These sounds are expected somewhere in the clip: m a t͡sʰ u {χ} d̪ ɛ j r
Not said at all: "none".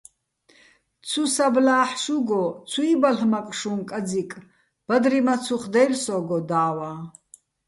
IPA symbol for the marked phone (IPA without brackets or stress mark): χ